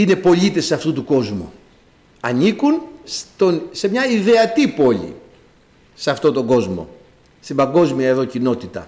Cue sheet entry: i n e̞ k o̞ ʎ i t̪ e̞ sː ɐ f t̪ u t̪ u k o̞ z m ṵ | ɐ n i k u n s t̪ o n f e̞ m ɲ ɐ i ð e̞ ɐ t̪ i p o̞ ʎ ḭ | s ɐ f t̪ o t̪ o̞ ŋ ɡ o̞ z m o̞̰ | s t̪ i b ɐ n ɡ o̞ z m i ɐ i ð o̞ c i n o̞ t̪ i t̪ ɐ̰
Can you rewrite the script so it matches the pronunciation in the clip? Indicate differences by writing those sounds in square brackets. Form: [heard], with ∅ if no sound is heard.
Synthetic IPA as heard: i n e̞ [p] o̞ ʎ i t̪ e̞ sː ɐ f t̪ u t̪ u k o̞ z m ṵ | ɐ n i k u n s t̪ o n [s] e̞ m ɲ ɐ i ð e̞ ɐ t̪ i p o̞ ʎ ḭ | s ɐ f t̪ o t̪ o̞ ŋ ɡ o̞ z m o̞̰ | s t̪ i b ɐ [ŋ] ɡ o̞ z m i ɐ [e] ð o̞ c i n o̞ t̪ i t̪ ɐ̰